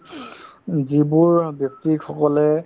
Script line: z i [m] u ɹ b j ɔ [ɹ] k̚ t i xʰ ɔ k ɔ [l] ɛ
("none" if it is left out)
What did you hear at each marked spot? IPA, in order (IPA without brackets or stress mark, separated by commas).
b, none, l